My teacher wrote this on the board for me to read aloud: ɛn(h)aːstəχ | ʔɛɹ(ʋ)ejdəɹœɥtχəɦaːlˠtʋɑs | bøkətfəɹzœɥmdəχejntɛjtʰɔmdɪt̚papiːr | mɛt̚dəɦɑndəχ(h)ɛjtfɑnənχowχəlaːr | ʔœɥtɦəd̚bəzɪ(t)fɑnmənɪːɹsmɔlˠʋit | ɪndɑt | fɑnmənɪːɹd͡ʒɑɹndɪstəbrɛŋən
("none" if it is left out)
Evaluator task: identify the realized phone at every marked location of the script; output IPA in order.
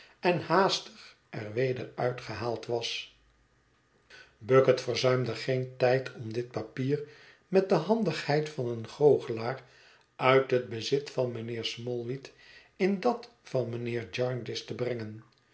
h, ʋ, h, t

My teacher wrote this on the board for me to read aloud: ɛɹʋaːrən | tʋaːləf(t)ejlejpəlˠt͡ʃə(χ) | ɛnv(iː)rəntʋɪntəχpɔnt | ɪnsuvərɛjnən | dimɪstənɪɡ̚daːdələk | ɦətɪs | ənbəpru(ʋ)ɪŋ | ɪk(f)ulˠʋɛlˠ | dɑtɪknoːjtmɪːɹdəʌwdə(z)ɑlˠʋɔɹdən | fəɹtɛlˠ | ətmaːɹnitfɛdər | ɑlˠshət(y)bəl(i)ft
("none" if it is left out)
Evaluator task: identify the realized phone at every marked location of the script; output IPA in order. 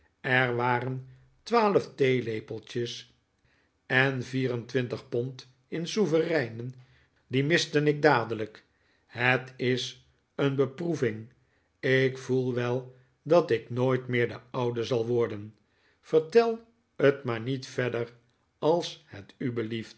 t, s, iː, v, f, z, y, i

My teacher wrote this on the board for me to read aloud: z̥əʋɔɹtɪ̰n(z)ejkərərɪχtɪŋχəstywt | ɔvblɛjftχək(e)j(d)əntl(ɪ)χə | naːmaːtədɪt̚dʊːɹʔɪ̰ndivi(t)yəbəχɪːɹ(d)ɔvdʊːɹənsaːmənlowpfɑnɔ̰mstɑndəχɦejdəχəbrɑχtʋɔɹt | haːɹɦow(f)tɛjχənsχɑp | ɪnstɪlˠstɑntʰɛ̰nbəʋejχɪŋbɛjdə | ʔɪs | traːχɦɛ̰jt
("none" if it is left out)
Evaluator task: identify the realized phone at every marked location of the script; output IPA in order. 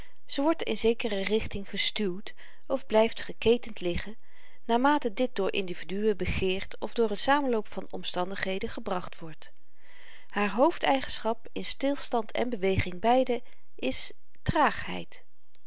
z, e, t, ɪ, d, t, f

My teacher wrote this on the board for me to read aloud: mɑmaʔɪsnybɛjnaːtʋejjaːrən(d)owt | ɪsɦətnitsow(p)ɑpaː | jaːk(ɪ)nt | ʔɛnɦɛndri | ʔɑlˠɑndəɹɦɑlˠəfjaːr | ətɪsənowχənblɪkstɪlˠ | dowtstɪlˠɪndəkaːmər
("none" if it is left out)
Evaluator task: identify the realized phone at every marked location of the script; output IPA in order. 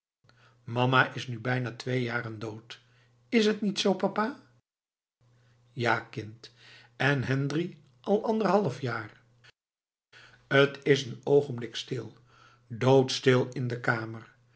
d, p, ɪ

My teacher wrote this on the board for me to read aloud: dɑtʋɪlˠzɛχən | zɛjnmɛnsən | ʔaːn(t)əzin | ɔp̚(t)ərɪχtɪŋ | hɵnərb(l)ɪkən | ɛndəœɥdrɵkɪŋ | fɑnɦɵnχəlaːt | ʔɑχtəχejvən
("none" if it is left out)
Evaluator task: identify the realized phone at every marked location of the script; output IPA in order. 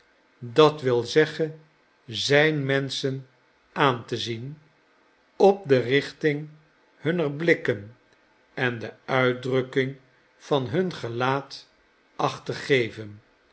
t, d, l

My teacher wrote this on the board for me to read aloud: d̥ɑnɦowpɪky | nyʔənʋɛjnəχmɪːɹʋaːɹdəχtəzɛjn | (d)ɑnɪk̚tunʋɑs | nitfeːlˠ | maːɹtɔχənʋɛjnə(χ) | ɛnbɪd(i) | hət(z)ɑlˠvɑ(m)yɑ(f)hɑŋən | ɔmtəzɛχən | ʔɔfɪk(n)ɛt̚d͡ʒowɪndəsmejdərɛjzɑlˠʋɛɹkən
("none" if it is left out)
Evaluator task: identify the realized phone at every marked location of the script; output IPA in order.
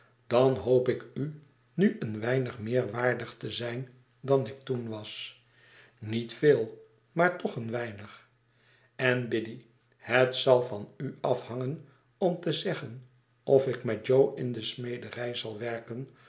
d, χ, i, s, n, f, m

